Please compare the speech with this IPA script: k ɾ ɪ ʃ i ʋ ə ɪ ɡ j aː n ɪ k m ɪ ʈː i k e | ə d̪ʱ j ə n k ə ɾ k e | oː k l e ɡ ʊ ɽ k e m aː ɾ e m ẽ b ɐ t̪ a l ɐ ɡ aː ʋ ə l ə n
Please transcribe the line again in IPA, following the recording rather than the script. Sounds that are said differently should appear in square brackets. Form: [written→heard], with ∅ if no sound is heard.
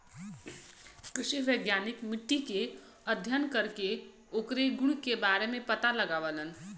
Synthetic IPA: k ɾ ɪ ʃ i ʋ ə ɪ ɡ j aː n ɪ k m ɪ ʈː i k e | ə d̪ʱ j ə n k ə ɾ k e | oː k [l→ɾ] e ɡ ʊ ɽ k e [m→b] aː ɾ e m ẽ [b→p] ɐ t̪ a l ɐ ɡ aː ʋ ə l ə n